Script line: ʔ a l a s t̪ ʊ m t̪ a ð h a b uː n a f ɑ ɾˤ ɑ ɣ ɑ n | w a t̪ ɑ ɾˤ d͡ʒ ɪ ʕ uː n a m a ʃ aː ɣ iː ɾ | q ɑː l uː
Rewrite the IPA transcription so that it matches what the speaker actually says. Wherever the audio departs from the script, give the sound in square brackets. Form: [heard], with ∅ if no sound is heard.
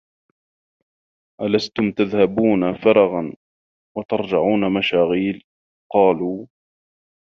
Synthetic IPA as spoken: ʔ a l a s t̪ ʊ m t̪ a ð h a b uː n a f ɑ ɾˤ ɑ ɣ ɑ n | w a t̪ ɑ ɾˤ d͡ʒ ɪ ʕ uː n a m a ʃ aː ɣ iː [l] | q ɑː l uː